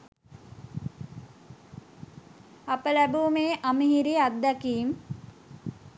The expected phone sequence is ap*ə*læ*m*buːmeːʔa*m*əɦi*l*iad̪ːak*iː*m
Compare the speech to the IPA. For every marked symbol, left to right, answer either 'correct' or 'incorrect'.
correct, incorrect: none, correct, incorrect: ɾ, correct

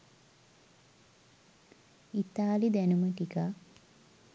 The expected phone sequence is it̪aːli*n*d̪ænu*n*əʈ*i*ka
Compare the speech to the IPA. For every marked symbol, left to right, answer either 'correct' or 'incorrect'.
incorrect: none, incorrect: m, correct

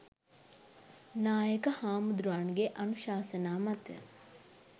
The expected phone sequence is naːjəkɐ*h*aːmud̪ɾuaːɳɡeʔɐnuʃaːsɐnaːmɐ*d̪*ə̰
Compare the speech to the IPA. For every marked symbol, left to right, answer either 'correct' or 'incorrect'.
correct, incorrect: t̪

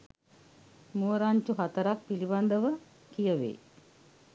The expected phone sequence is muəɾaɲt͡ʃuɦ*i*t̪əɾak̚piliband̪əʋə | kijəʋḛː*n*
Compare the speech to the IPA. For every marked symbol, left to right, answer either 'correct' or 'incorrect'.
incorrect: a, incorrect: none

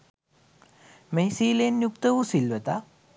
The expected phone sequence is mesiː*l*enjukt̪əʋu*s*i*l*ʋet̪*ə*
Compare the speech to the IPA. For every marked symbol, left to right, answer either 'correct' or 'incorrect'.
correct, correct, correct, incorrect: a

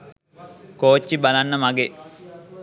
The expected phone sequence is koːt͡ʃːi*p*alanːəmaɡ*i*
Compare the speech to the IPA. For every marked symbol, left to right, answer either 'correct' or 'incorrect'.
incorrect: b, incorrect: e

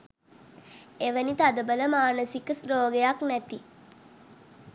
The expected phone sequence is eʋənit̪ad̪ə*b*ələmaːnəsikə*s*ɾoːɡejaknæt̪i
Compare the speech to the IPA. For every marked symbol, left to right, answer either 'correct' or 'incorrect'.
correct, correct

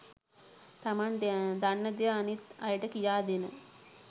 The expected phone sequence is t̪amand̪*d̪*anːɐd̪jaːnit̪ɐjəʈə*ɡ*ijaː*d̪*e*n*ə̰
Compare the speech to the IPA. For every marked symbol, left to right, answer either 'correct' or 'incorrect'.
correct, incorrect: k, correct, correct

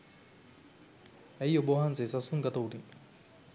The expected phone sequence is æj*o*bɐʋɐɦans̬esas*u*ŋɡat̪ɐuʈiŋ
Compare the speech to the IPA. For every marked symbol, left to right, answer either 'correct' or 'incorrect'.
correct, correct

